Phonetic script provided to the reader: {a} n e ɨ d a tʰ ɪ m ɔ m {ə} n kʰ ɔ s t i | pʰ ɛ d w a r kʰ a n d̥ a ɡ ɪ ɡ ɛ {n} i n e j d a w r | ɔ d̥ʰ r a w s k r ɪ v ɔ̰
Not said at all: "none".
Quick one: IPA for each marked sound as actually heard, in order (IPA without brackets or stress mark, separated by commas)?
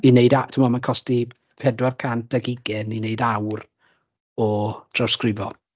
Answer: i, a, n